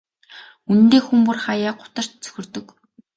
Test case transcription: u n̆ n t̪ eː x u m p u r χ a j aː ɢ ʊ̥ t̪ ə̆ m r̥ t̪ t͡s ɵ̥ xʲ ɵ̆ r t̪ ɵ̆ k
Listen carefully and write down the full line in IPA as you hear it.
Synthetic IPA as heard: u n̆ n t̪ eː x u m p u r χ a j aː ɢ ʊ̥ t̪ ə̆ r̥ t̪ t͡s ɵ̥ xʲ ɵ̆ r t̪ ɵ̆ k

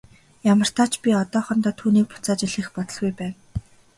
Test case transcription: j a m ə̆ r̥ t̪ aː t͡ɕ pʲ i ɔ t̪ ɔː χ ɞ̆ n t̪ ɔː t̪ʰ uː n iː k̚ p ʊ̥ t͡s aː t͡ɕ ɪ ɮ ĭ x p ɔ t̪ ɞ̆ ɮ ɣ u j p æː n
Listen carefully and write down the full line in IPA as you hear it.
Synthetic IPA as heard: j a m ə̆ r̥ t̪ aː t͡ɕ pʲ i ɔ t̪ ɔː χ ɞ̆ n t̪ ɔː t̪ʰ uː n iː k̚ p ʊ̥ t͡s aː t͡ɕ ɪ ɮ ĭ x p ɔ t̪ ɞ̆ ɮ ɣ u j p æː n

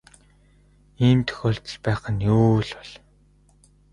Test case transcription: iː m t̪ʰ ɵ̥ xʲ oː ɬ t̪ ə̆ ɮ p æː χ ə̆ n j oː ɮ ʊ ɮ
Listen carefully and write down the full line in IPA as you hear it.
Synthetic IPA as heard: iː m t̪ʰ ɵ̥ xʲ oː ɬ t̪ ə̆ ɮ p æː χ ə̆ n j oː ɮ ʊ ɮ

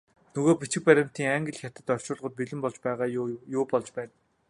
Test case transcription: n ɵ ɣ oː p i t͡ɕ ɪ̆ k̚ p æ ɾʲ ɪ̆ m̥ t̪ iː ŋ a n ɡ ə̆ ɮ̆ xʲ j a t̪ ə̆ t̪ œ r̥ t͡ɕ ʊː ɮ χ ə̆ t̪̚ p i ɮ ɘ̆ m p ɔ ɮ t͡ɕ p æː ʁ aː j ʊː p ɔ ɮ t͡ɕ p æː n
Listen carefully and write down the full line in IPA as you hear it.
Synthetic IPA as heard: n ɵ ɣ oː p i t͡ɕ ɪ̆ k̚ p æ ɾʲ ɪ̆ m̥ t̪ iː ŋ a ŋ ɡ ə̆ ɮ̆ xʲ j a t̪ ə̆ t̪ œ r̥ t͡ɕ ʊː ɮ ʁ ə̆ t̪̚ p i ɮ ɘ̆ m p ɔ ɮ t͡ɕ p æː ʁ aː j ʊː p ɔ ɮ t͡ɕ p æː n

